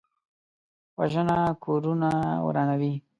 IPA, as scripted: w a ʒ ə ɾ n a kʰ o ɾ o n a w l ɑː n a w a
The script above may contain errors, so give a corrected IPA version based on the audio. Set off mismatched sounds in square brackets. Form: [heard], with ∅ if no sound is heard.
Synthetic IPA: w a ʒ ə [∅] n a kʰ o ɾ [u] n a w [ɾ] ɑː n a w [i]